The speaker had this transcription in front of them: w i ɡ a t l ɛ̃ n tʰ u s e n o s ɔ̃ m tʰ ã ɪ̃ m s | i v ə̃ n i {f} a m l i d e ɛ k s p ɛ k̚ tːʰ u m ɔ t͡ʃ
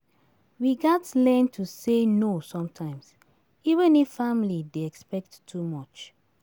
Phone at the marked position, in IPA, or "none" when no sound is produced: f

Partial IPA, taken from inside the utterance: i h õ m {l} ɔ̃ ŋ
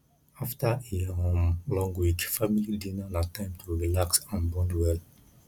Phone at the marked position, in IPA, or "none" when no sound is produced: l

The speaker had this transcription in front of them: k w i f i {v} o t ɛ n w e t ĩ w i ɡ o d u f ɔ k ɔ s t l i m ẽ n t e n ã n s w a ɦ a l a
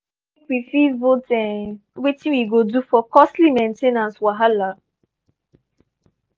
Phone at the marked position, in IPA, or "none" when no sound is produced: v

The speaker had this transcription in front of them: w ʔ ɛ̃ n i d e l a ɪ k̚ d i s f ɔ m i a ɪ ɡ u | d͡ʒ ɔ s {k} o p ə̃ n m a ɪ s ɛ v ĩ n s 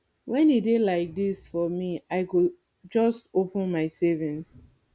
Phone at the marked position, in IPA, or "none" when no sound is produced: t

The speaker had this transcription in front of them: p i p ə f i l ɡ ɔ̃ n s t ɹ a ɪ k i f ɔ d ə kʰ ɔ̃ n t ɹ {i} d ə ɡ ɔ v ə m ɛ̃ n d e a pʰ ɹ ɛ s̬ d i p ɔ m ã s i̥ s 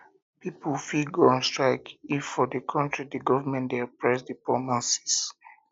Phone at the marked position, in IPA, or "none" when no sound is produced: i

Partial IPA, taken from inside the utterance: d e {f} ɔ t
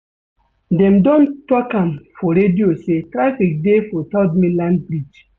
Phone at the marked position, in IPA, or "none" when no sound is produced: f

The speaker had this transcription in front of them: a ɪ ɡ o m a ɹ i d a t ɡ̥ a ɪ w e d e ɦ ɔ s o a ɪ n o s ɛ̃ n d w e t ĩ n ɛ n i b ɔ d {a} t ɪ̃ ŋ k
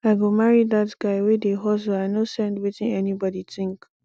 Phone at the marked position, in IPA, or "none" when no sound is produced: i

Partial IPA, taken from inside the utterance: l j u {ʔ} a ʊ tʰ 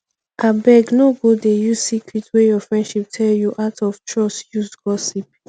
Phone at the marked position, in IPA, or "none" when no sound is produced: ʔ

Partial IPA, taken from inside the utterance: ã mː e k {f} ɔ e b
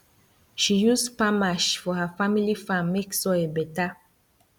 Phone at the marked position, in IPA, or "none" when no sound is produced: s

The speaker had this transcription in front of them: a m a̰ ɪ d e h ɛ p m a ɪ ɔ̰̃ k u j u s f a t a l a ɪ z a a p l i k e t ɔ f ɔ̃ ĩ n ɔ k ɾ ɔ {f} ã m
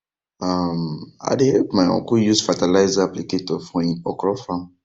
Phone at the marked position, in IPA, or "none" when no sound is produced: f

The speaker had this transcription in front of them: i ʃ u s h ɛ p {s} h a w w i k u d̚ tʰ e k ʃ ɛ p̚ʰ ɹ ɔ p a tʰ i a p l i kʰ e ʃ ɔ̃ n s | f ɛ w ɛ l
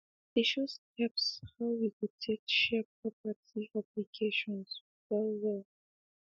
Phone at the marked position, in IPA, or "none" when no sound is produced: s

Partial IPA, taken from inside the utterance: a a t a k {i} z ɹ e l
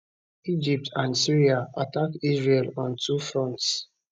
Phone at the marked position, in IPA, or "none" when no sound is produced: i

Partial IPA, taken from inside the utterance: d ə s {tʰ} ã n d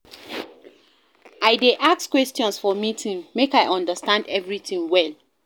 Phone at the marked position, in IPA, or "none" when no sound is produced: t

